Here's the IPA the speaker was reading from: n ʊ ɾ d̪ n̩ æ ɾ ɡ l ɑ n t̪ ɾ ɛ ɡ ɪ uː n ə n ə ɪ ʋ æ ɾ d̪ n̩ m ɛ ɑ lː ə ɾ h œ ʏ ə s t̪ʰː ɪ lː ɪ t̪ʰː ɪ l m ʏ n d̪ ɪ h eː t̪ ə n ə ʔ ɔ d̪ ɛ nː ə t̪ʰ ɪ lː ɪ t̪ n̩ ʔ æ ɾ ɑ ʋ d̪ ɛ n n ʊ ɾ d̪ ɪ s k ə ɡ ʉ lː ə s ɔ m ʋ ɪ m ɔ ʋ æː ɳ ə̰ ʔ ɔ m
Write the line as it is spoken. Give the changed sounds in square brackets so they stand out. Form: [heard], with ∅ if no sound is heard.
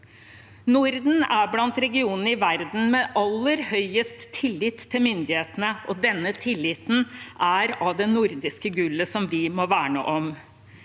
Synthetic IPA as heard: n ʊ ɾ d̪ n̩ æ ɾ [b] l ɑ n t̪ ɾ ɛ ɡ ɪ uː n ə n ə ɪ ʋ æ ɾ d̪ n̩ m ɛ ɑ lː ə ɾ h œ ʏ ə s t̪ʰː ɪ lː ɪ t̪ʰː ɪ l m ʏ n d̪ ɪ h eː t̪ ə n ə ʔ ɔ d̪ ɛ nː ə t̪ʰ ɪ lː ɪ t̪ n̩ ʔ æ ɾ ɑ ʋ d̪ ɛ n n ʊ ɾ d̪ ɪ s k ə ɡ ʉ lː ə s ɔ m ʋ ɪ m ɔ ʋ æː ɳ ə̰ ʔ ɔ m